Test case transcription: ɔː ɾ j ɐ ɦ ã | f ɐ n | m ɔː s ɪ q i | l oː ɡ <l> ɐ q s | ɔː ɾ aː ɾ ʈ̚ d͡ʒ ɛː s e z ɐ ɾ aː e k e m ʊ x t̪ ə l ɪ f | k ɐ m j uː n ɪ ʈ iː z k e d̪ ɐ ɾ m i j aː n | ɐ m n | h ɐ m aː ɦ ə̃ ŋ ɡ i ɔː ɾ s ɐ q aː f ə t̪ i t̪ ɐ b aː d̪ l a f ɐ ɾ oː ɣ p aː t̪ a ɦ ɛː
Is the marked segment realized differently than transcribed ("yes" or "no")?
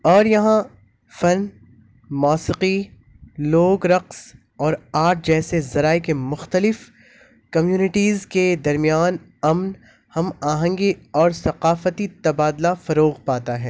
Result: yes